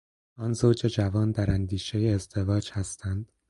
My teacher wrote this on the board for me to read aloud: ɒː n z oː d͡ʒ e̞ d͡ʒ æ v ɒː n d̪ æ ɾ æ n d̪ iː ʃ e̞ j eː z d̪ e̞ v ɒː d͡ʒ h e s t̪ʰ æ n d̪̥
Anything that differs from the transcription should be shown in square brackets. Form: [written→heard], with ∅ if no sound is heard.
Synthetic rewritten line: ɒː n z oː d͡ʒ e̞ d͡ʒ æ v ɒː n d̪ æ ɾ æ n d̪ iː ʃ e̞ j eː z d̪ e̞ v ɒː d͡ʒ h [e→æ] s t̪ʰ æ n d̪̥